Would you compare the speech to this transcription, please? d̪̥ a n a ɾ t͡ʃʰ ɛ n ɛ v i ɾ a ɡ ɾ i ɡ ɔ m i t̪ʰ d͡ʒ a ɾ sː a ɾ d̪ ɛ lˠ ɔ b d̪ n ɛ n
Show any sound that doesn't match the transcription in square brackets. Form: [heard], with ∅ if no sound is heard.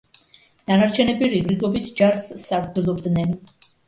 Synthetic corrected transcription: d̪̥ a n a ɾ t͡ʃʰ ɛ n ɛ [b] i ɾ [i] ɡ ɾ i ɡ ɔ [b] i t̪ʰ d͡ʒ a ɾ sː a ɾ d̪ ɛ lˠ ɔ b d̪ n ɛ n